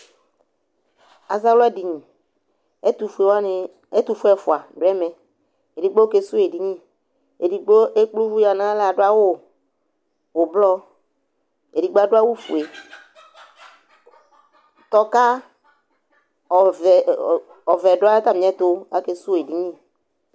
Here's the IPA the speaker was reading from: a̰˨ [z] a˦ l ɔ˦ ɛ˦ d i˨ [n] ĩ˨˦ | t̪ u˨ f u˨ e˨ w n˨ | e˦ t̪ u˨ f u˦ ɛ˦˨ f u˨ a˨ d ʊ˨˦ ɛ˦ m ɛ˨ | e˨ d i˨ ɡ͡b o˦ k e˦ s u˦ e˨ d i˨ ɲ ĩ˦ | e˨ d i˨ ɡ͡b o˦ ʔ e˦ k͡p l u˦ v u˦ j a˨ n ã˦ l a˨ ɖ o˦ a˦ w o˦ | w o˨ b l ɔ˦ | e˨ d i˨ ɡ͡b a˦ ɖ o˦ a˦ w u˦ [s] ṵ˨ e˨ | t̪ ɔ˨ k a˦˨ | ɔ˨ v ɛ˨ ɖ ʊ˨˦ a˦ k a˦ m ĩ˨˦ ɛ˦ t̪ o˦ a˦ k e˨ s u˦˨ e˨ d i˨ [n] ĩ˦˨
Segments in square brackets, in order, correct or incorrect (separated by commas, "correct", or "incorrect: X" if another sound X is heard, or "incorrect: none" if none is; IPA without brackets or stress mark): correct, incorrect: ɲ, incorrect: f, incorrect: ɲ